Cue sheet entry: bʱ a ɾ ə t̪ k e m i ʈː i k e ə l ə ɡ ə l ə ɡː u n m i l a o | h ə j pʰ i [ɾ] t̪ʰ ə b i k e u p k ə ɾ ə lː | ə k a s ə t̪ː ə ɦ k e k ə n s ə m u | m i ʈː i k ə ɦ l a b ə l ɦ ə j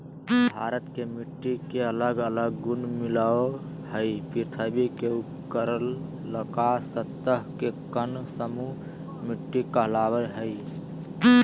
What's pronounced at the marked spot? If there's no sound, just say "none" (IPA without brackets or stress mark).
ɾ